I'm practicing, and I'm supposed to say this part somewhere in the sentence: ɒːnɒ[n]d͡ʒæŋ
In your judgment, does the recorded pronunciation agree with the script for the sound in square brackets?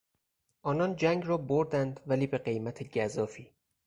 yes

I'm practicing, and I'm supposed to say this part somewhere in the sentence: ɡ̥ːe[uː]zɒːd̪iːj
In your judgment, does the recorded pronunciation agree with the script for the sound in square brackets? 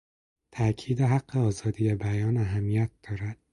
no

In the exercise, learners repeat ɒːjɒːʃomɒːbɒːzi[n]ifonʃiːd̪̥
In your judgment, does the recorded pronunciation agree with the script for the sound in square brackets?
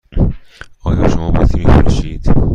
no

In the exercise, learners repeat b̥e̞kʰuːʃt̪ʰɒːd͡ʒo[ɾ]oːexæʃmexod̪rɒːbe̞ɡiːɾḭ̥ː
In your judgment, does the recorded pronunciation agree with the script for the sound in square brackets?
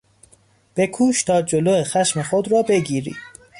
no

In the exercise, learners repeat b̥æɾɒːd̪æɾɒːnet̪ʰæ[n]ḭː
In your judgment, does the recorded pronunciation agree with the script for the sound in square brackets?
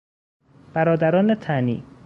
yes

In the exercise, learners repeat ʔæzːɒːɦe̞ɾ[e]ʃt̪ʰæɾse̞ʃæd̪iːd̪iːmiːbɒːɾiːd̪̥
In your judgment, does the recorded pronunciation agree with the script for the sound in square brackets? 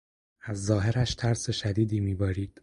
no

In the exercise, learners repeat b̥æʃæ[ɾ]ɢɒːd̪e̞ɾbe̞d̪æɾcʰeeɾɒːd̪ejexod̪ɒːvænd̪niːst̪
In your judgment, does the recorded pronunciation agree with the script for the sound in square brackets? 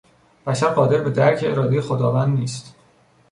yes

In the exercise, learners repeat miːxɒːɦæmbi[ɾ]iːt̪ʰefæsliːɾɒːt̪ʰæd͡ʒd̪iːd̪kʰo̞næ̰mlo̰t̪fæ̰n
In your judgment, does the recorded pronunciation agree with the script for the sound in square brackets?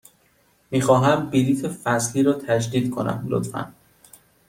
no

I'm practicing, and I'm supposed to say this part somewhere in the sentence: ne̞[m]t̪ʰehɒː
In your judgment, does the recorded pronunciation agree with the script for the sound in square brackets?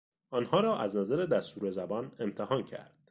yes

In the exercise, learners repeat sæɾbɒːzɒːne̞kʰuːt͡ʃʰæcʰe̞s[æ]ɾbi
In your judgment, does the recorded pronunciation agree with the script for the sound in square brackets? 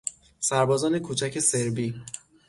no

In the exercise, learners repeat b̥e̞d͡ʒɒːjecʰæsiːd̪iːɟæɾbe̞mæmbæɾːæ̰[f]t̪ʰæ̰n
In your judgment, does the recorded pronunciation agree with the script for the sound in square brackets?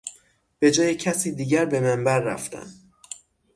yes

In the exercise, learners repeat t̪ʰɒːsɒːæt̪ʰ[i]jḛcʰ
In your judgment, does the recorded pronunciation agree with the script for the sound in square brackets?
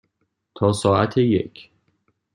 no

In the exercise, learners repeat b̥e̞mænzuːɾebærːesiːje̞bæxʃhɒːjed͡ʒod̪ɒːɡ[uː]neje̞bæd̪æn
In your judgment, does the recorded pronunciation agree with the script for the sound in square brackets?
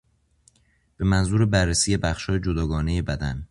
no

